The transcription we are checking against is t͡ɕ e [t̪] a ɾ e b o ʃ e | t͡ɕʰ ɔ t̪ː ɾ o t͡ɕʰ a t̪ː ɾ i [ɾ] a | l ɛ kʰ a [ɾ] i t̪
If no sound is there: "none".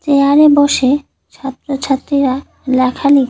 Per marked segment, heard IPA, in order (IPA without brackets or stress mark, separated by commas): none, ɾ, l